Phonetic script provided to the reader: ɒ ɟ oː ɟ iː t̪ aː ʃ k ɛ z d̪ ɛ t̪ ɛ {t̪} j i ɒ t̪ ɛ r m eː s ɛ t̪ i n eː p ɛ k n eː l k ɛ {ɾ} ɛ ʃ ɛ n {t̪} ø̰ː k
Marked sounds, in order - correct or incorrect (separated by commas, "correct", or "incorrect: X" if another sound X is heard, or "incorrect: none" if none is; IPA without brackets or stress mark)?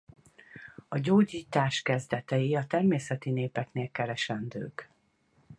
incorrect: none, correct, incorrect: d̪